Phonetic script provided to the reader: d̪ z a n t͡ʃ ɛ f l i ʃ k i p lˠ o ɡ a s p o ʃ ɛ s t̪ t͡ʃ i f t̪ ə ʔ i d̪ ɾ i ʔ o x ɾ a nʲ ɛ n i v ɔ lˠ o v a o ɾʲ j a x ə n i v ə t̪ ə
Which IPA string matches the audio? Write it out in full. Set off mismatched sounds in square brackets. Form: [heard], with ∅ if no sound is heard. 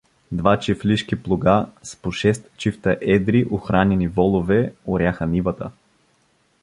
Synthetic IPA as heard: d̪ [v] a [∅] t͡ʃ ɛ f l i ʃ k i p lˠ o ɡ a s p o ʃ ɛ s t̪ t͡ʃ i f t̪ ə ʔ [ɛ] d̪ ɾ i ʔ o x ɾ a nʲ ɛ n i v ɔ lˠ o v [ɛ] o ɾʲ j a x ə n i v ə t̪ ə